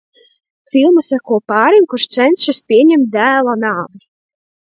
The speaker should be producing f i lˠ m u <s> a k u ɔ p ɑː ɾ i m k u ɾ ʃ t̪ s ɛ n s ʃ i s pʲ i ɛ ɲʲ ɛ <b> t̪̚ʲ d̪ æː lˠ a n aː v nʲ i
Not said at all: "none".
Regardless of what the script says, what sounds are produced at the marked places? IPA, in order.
s, m

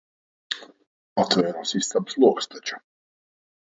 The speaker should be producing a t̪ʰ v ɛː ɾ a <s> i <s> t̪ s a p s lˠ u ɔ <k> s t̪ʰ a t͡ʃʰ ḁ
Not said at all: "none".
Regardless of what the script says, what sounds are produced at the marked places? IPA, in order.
s, s, k

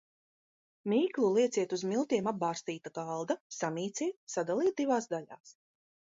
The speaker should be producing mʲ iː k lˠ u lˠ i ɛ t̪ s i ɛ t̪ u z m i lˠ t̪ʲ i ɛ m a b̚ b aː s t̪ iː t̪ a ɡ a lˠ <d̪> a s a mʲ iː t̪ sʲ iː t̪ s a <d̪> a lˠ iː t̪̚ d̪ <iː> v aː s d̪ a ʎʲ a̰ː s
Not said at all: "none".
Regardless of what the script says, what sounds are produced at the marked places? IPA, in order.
d̪, d̪, i

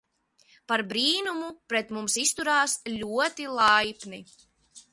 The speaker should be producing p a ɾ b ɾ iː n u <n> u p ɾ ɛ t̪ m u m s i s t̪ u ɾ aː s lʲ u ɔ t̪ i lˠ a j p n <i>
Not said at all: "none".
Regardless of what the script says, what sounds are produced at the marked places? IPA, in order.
m, i

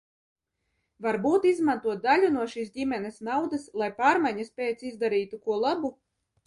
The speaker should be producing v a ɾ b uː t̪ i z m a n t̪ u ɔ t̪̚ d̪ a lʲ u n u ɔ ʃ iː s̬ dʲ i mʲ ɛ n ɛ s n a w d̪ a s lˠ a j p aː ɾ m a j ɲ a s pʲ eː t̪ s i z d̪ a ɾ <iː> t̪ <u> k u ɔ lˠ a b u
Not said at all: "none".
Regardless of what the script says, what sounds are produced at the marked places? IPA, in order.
iː, u

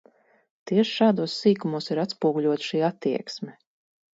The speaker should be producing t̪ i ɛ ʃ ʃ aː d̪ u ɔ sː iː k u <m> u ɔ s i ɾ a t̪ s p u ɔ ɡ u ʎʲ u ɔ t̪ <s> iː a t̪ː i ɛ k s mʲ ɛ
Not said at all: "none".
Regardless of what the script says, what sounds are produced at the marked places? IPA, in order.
m, ʃ

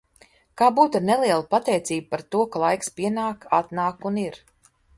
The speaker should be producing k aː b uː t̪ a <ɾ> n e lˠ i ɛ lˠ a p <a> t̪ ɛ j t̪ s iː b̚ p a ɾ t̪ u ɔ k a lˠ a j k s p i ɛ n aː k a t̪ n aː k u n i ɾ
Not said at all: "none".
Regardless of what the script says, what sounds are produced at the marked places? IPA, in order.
ɾ, a

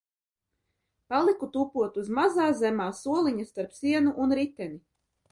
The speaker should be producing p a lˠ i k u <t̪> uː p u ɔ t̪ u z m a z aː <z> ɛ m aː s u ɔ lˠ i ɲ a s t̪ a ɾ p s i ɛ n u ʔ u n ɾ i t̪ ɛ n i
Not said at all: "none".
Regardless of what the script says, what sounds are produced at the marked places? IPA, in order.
t̪, z

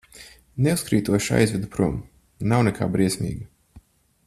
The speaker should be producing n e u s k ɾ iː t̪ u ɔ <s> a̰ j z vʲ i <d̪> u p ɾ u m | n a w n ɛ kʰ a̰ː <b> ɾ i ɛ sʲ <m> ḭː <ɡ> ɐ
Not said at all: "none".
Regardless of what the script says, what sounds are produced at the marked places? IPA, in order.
ʃ, d̪, b, m, ɡ

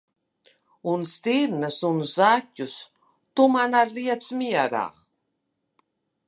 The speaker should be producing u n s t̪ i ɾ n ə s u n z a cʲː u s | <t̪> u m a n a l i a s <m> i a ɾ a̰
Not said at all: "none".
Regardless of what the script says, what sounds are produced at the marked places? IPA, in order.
t̪, m

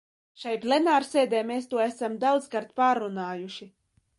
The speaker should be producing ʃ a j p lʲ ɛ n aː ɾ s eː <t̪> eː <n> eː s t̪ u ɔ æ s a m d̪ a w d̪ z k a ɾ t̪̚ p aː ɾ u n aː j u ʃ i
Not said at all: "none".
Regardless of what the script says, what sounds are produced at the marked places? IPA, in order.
d̪, m

